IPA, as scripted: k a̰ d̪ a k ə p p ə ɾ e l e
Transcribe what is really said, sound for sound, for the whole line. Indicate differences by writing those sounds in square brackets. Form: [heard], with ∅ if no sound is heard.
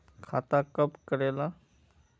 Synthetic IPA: [kʰ] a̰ [t̪] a k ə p [k] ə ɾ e l [a]